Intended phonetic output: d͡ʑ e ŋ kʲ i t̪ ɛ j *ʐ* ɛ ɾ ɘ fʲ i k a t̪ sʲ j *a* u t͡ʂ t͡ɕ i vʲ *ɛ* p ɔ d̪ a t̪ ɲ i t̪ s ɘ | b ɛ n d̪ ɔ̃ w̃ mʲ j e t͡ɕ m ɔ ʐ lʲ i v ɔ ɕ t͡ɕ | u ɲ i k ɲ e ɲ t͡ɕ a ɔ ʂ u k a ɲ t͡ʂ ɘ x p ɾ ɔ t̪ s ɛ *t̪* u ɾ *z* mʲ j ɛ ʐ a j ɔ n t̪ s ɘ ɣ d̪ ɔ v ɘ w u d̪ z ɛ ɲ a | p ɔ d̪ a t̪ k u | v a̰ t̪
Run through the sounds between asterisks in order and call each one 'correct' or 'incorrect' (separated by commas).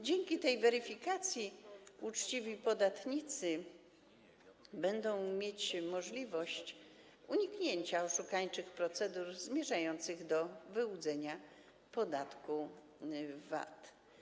incorrect, incorrect, incorrect, incorrect, correct